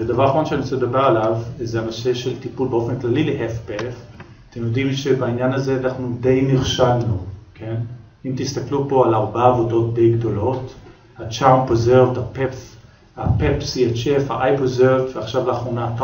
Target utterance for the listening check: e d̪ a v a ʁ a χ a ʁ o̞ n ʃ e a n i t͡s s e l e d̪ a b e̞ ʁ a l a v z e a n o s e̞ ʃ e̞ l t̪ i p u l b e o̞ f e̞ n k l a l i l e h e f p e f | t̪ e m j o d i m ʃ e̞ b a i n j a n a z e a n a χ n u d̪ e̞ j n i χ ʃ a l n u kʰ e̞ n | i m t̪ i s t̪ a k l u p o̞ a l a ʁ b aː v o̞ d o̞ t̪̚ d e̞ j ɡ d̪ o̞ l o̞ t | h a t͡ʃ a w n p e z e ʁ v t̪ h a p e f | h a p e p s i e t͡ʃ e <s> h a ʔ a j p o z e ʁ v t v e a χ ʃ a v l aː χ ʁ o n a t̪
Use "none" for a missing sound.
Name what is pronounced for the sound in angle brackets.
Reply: f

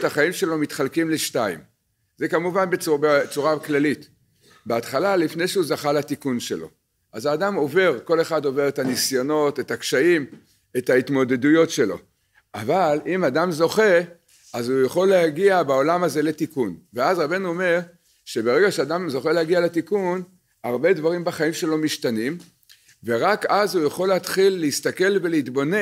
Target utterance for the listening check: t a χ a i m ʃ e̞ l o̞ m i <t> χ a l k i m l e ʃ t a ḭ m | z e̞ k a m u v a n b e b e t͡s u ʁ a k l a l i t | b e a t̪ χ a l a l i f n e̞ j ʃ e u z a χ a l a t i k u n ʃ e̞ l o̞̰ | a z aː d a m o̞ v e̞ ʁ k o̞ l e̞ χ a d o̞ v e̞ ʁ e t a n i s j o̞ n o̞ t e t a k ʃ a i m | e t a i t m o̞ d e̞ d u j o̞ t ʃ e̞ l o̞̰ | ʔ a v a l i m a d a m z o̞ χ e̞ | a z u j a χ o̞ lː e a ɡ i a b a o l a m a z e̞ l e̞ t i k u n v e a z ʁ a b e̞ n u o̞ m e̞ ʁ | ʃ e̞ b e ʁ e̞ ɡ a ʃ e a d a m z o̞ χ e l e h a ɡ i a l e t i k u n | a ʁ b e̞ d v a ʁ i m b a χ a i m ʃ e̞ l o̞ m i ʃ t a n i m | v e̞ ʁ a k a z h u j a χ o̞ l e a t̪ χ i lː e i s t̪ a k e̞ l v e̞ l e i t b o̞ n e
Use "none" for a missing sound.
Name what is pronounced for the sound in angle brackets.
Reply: t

